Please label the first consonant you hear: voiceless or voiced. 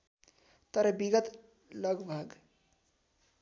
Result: voiceless